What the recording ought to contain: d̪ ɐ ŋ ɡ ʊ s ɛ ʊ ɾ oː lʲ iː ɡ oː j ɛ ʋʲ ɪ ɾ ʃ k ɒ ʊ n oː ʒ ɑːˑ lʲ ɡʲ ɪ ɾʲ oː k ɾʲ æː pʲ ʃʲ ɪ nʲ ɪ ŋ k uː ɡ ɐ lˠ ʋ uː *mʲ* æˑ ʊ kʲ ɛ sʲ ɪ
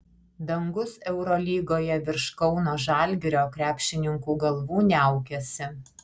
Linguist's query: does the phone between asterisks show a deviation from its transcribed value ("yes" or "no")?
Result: yes